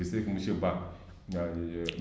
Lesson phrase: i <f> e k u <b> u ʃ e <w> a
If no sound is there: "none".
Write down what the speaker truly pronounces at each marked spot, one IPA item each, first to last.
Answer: s, m, b

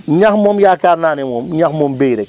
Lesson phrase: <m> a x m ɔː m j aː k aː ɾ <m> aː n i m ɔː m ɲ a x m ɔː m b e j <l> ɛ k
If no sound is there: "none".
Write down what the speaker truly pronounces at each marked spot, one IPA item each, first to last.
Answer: ɲ, n, ɾ

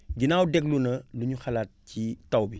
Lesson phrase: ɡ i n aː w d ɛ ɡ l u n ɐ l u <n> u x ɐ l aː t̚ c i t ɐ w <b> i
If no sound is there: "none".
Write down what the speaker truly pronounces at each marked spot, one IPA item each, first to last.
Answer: ɲ, b

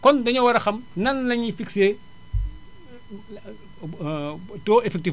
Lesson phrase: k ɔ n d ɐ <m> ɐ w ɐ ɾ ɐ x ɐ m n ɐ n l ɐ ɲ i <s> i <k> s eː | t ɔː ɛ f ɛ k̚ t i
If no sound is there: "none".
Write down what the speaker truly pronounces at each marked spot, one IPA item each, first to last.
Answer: ɲ, f, k

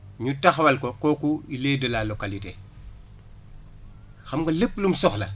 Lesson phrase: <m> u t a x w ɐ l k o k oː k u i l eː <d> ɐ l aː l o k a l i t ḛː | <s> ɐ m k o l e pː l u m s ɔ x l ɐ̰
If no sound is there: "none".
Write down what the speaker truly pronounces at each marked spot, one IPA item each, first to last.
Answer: ɲ, d, x

